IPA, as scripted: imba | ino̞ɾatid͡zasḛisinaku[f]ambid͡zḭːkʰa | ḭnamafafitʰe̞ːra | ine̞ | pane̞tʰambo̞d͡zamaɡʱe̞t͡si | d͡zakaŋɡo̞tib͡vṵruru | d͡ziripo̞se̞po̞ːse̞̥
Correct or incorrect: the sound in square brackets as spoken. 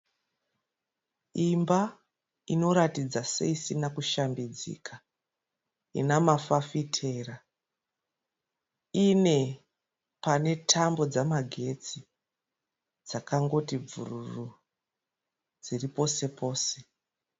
incorrect: ʃ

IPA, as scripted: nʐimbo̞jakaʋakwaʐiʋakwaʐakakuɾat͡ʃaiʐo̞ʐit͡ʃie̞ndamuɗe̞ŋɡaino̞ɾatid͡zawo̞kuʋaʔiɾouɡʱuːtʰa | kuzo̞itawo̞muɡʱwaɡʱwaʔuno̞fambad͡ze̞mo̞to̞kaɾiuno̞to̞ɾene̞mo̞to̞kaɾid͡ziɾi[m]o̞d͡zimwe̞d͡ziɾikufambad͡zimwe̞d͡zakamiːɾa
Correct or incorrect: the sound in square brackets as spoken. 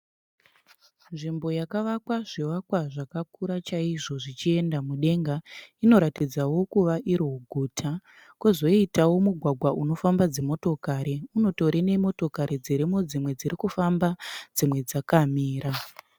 correct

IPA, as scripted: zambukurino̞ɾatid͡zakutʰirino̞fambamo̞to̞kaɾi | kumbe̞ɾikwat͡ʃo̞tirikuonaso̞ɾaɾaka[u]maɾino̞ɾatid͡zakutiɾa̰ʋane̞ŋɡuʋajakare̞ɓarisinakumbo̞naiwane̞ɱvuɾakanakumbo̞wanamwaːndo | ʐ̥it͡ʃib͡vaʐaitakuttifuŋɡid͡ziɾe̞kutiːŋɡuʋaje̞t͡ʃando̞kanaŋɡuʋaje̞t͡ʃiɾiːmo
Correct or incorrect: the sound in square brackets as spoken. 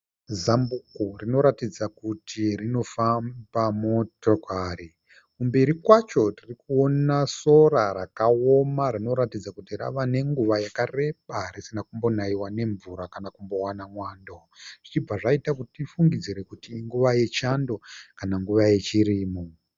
incorrect: o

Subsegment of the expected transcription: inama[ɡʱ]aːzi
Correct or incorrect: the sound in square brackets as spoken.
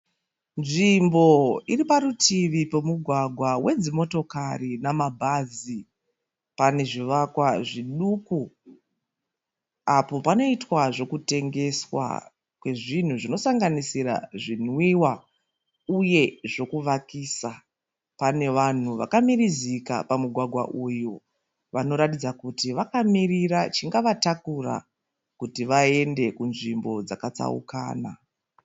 incorrect: bʱ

